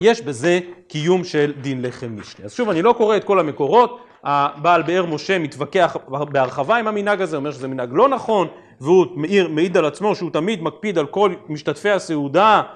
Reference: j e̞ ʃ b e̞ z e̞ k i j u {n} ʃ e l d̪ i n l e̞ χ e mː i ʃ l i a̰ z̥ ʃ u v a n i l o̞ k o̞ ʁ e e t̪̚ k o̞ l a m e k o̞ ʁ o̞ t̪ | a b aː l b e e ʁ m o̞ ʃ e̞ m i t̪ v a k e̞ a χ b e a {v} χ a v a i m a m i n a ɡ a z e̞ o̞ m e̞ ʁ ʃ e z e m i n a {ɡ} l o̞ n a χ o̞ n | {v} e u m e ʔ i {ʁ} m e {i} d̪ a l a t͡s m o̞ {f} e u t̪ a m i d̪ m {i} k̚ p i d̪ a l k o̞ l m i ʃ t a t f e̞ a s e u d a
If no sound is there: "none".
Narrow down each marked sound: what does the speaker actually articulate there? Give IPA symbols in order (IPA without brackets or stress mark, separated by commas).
m, ʁ, ɡ, v, ʁ, i, ʃ, a